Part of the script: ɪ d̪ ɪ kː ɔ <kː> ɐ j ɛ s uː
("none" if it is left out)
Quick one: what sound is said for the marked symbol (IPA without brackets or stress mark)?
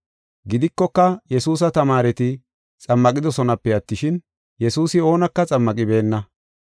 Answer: kː